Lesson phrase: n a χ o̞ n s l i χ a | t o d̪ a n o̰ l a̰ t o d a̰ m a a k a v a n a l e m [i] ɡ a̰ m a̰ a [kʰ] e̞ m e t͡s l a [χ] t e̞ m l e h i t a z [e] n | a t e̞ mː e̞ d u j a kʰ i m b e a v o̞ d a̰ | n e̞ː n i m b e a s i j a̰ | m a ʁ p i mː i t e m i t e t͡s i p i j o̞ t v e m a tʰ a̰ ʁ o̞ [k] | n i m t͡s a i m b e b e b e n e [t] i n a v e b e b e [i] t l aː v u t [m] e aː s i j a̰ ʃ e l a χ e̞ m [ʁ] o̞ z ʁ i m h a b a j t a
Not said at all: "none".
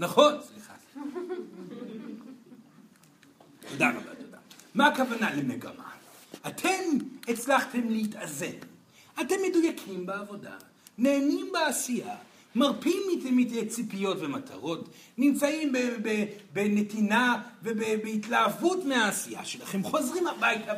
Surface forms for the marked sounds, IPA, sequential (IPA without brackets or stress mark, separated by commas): e, tʰ, χ, e, t, t, i, m, χ